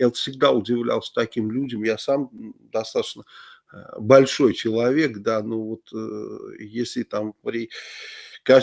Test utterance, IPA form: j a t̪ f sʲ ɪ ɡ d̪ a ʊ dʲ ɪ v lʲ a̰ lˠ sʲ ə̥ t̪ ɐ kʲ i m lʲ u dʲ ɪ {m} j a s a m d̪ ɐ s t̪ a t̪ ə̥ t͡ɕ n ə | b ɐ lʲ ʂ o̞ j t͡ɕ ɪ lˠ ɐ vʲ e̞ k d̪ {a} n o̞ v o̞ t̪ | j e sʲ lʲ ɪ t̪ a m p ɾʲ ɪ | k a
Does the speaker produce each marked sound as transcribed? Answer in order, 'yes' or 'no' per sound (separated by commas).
yes, yes